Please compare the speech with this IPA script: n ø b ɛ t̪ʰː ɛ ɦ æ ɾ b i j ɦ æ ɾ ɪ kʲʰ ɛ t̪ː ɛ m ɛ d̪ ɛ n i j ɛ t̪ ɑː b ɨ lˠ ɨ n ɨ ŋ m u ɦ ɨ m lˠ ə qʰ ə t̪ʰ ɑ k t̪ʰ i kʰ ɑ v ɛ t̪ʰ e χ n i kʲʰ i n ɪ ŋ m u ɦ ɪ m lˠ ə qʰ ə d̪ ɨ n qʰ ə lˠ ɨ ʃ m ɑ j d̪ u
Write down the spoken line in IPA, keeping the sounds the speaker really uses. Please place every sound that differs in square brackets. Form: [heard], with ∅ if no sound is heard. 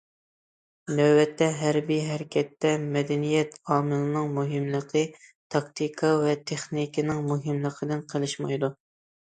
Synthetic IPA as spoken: n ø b ɛ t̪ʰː ɛ ɦ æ ɾ b i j ɦ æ ɾ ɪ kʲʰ ɛ t̪ː ɛ m ɛ d̪ ɛ n i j ɛ t̪ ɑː [m] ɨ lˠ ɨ n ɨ ŋ m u ɦ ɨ m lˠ ə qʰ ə t̪ʰ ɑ k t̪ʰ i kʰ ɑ v ɛ t̪ʰ e χ n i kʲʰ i n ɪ ŋ m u ɦ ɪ m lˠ ə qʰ ə d̪ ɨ n qʰ ə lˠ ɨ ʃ m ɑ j d̪ u